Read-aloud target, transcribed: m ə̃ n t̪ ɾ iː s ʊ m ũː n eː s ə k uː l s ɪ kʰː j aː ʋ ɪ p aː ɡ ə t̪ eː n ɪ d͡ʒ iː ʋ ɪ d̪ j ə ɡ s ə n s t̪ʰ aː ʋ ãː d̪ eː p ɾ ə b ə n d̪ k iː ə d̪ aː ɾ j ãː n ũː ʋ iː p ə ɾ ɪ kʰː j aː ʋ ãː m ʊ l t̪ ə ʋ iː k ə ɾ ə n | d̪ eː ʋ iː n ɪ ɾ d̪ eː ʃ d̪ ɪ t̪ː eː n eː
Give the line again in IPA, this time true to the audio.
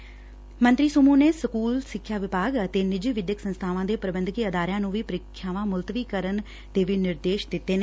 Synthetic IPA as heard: m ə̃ n t̪ ɾ iː s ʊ m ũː n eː s ə k uː l s ɪ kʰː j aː ʋ ɪ p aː ɡ ə t̪ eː n ɪ d͡ʒ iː ʋ ɪ d̪ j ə k s ə n s t̪ʰ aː ʋ ãː d̪ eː p ɾ ə b ə n d̪ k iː ə d̪ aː ɾ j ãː n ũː ʋ iː p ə ɾ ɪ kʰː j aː ʋ ãː m ʊ l t̪ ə ʋ iː k ə ɾ ə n | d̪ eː ʋ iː n ɪ ɾ d̪ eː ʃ d̪ ɪ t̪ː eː n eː

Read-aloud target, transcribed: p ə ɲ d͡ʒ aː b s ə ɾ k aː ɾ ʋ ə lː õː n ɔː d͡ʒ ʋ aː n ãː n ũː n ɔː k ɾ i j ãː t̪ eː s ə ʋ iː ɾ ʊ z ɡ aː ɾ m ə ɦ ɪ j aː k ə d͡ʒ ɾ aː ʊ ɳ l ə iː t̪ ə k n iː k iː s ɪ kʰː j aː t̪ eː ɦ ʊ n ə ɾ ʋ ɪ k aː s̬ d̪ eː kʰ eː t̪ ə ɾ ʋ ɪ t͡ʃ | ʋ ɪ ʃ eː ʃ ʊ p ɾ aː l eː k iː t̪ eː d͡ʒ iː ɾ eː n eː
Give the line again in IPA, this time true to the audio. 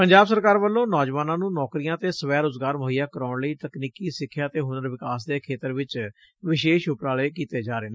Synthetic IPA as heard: p ə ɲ d͡ʒ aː b s ə ɾ k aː ɾ ʋ ə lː õː n ɔː d͡ʒ ʋ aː n ãː n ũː n ɔː k ɾ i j ãː t̪ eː s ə ʋ ɛː ɾ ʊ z ɡ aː ɾ m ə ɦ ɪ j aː k ə ɾ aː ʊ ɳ l ə iː t̪ ə k n iː k iː s ɪ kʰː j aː t̪ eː ɦ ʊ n ə ɾ ʋ ɪ k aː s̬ d̪ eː kʰ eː t̪ ə ɾ ʋ ɪ t͡ʃ | ʋ ɪ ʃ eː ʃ ʊ p ɾ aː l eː k iː t̪ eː d͡ʒ aː ɾ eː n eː

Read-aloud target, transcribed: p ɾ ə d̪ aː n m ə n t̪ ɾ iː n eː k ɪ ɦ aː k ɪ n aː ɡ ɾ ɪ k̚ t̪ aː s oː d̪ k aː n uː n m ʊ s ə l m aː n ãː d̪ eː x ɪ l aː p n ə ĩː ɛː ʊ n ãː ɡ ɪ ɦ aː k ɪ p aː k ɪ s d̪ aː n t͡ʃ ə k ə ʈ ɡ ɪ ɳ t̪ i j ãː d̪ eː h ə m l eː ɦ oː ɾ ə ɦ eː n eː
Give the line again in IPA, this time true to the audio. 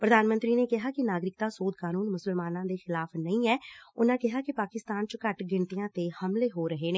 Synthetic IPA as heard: p ɾ ə d̪ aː n m ə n t̪ ɾ iː n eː k ɪ ɦ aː k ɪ n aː ɡ ɾ ɪ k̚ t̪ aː s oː d̪ k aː n uː n m ʊ s ə l m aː n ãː d̪ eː x ɪ l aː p n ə ĩː ɛː ʊ n ãː k ɪ ɦ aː k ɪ p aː k ɪ s t̪ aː n t͡ʃ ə k ə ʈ ɡ ɪ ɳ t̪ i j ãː t̪ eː h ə m l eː ɦ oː ɾ ə ɦ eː n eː

